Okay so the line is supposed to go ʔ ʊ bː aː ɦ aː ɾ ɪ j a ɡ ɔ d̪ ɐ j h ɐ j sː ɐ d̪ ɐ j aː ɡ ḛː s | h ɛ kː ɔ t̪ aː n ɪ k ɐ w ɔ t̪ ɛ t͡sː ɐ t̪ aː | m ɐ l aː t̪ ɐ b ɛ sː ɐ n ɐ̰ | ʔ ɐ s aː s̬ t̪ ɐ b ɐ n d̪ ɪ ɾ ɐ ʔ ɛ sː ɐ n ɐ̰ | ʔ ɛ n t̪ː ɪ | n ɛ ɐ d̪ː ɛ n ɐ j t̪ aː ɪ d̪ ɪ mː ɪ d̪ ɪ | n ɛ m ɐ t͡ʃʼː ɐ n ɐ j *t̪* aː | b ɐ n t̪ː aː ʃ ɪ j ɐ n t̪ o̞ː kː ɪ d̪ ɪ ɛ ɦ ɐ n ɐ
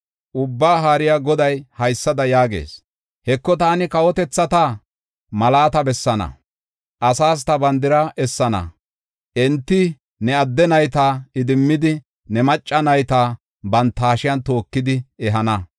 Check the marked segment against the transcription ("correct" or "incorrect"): correct